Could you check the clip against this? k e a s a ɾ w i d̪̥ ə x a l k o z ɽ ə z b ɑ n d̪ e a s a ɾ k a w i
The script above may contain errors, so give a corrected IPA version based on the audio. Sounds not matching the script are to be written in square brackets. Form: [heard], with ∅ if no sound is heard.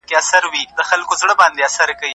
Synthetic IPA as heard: k e a s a ɾ w i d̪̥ ə x a l k o z ɽ ə [∅] b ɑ n d̪ e a s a ɾ k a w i